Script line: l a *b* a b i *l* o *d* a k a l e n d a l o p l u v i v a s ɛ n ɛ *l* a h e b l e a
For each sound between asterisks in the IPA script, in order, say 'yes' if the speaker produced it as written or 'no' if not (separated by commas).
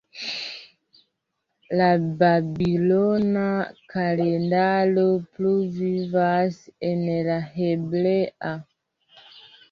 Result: yes, yes, no, yes